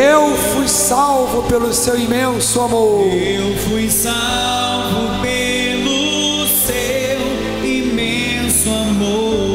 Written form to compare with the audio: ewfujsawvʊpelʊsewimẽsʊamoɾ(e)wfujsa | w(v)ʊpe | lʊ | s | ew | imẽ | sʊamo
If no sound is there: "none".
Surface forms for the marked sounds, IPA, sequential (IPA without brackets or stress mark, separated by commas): e, v